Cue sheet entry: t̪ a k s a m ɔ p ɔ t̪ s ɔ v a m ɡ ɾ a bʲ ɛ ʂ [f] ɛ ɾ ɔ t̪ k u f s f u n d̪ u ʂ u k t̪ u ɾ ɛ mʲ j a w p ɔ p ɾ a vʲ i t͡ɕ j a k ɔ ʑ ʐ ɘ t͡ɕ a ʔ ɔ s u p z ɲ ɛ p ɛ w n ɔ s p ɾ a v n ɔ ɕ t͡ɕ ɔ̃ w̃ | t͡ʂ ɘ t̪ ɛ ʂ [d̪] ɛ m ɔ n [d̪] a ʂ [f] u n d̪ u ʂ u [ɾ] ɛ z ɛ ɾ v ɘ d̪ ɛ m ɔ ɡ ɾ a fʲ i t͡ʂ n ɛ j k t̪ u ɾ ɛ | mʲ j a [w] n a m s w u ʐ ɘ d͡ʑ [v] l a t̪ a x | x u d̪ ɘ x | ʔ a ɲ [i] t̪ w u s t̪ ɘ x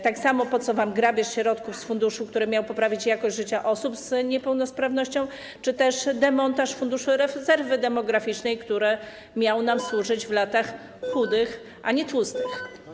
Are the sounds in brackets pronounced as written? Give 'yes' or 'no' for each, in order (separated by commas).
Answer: no, yes, no, yes, yes, yes, yes, no